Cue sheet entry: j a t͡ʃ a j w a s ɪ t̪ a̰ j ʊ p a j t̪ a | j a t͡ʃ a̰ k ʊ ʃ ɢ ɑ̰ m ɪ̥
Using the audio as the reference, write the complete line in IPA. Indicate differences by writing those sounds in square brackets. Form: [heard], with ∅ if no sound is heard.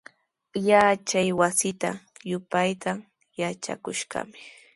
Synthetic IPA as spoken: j a t͡ʃ a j w a s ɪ t̪ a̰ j ʊ p a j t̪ a | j a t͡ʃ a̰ k ʊ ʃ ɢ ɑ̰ m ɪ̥